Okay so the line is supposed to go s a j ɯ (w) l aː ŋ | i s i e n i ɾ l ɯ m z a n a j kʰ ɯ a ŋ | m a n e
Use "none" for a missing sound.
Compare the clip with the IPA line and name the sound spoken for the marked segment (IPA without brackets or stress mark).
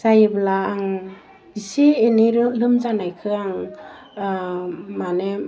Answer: b